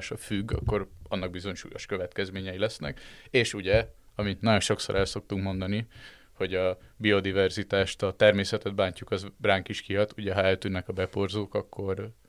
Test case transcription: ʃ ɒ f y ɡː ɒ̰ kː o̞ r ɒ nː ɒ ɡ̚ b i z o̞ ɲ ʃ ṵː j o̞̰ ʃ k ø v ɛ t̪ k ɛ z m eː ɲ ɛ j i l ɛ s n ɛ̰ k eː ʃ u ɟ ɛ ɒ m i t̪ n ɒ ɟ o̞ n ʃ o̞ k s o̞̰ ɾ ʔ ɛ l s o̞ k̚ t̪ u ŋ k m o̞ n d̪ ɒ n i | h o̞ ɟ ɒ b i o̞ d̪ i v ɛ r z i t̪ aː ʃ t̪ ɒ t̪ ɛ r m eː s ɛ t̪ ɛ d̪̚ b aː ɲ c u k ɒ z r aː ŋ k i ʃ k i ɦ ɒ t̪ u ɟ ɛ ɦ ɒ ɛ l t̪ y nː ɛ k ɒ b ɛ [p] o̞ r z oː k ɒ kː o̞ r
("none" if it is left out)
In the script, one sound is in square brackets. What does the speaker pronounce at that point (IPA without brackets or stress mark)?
p